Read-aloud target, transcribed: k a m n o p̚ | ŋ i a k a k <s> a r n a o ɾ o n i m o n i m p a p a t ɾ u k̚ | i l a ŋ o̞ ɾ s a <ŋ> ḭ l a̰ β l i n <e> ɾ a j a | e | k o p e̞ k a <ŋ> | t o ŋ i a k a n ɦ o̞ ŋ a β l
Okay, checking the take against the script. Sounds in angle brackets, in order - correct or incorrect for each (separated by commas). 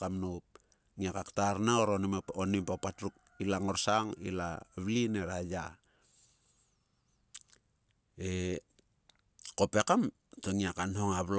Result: incorrect, correct, correct, incorrect